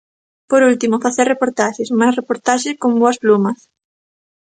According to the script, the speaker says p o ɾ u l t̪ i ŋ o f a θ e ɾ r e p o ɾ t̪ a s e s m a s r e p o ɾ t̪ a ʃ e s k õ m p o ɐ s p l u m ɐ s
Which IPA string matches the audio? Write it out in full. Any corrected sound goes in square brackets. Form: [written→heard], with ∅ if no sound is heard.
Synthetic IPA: p o ɾ u l t̪ i [ŋ→m] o f a θ e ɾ r e p o ɾ t̪ a [s→ʃ] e s m a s r e p o ɾ t̪ a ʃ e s k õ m [p→b] o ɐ s p l u m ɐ s